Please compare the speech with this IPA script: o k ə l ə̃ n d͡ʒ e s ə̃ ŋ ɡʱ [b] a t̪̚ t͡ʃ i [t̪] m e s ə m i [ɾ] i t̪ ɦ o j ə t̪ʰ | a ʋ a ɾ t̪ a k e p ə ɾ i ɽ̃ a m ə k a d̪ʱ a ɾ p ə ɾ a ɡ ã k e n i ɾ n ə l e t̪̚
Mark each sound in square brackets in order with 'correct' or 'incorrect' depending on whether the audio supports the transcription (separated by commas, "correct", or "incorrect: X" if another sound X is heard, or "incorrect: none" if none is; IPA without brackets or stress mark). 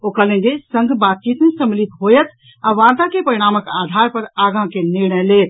correct, correct, incorrect: l